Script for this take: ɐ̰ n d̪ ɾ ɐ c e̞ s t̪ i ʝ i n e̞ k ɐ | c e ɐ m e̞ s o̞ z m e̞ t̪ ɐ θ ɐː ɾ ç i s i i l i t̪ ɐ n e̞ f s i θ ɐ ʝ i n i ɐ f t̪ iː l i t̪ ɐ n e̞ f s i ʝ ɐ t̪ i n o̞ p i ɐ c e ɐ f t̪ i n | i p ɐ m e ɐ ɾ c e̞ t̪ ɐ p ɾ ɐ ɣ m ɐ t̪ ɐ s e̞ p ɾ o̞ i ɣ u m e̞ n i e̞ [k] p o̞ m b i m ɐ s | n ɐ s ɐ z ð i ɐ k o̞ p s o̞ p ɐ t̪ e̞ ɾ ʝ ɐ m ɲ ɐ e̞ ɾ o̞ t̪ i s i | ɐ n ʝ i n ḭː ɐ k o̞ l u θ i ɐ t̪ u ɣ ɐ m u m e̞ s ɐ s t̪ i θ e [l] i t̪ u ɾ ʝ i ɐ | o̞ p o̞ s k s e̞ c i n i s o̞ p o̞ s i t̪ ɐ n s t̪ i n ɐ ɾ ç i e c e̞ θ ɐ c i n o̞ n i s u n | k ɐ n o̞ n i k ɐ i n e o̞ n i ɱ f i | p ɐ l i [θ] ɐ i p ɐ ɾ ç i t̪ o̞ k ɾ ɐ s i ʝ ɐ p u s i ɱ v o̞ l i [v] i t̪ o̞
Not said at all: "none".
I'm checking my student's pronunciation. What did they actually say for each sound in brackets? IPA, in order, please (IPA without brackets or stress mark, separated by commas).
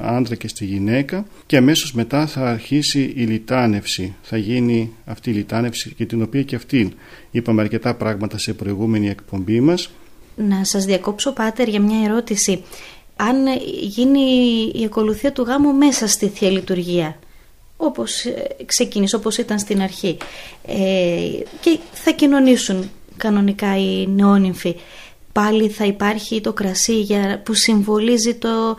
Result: k, l, θ, z